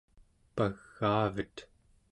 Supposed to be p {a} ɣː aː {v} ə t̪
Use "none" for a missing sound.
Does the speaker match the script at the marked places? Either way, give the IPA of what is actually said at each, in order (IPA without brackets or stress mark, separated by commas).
a, v